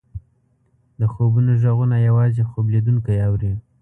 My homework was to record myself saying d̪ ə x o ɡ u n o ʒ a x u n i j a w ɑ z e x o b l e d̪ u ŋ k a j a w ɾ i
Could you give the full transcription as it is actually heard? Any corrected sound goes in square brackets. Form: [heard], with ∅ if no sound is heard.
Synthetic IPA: d̪ ə x o [b] u n o ʒ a [ɣ] u n [a] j a w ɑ z e x o b l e d̪ u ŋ k a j a w ɾ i